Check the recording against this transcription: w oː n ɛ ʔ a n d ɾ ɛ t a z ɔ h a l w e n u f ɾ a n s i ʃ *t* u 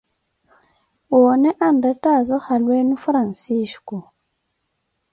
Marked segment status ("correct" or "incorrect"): incorrect